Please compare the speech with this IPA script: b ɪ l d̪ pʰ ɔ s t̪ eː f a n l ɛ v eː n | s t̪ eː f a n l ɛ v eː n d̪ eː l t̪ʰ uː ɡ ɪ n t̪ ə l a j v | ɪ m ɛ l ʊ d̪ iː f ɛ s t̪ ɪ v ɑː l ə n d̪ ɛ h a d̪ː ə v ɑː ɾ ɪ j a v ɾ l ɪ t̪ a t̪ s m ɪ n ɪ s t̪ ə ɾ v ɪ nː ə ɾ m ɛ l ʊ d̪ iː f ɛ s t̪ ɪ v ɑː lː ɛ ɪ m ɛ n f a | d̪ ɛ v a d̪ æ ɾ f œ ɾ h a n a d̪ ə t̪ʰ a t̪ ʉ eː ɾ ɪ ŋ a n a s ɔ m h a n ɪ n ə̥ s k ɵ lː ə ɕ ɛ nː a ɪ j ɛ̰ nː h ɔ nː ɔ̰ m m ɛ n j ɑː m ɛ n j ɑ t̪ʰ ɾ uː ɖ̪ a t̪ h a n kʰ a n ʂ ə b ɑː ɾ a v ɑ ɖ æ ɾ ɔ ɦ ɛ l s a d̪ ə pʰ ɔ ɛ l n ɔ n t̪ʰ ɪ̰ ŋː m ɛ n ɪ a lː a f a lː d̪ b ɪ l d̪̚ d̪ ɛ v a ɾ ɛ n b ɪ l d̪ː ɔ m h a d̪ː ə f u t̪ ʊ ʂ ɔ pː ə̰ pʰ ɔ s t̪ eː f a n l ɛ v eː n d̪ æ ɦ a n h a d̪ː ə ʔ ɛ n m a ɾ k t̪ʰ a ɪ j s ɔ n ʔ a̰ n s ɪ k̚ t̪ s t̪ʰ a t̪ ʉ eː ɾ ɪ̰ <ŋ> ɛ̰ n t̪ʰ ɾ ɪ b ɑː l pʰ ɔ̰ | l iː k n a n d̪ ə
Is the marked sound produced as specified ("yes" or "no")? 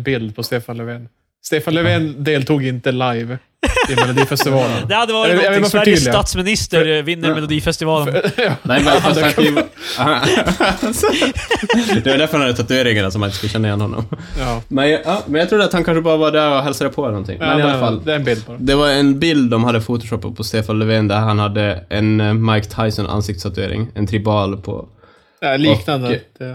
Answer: yes